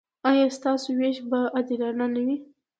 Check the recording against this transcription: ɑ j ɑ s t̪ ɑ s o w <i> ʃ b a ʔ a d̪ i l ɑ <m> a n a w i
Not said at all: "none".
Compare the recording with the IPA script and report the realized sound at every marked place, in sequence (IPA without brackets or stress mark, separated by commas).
e, n